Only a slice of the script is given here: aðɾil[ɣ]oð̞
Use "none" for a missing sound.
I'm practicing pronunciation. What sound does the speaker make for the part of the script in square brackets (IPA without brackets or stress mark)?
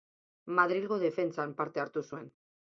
ɣ